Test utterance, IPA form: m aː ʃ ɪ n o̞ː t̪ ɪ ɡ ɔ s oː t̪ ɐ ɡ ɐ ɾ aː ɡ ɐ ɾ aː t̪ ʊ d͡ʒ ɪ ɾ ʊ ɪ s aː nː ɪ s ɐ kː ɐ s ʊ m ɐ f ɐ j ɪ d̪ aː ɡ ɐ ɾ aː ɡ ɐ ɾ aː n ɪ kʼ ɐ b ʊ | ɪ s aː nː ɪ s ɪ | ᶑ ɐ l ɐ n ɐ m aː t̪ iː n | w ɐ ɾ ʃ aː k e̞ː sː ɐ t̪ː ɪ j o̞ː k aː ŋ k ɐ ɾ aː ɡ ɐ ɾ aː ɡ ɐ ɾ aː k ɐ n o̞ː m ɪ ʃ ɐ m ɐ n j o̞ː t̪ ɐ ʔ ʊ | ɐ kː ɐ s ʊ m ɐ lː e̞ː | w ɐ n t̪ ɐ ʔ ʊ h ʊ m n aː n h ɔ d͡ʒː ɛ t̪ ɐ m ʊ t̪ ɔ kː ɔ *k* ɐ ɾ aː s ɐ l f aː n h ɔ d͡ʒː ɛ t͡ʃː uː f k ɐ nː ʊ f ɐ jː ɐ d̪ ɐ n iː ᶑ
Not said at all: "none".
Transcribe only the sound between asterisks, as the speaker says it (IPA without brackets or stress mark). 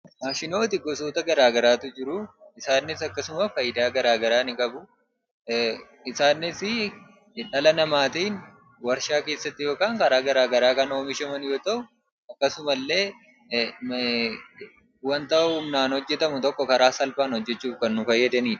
k